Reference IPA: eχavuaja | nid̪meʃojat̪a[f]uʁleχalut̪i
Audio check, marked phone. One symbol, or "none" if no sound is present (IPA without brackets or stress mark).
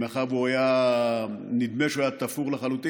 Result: f